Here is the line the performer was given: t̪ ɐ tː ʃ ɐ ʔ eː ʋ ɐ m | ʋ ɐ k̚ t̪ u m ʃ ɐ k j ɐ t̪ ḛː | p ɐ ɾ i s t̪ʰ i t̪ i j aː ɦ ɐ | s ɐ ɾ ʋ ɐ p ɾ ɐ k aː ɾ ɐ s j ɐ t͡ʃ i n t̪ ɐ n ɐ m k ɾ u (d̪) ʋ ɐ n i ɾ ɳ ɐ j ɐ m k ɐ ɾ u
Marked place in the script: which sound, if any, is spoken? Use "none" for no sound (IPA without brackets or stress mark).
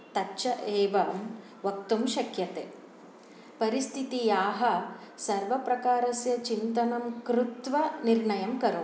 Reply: t̪